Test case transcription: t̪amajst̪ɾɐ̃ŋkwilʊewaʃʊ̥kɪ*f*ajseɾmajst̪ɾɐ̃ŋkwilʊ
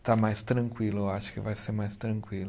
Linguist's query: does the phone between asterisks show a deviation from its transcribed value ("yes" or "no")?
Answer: yes